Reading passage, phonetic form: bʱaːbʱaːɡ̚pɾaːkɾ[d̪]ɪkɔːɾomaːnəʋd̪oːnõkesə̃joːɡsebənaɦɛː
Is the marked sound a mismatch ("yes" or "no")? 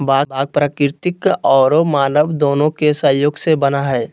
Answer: yes